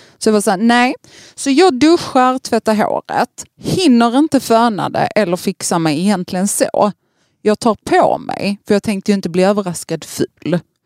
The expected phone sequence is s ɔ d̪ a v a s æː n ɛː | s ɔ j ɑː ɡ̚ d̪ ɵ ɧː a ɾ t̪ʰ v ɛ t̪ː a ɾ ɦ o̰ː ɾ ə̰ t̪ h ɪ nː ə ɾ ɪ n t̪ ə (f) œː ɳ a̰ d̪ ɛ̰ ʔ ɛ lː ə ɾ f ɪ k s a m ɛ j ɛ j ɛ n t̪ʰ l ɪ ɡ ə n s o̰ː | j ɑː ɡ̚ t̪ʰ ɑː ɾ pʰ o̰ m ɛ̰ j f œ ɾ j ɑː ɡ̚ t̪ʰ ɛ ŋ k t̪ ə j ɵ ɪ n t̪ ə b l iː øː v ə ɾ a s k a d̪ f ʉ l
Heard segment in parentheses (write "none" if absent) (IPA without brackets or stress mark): f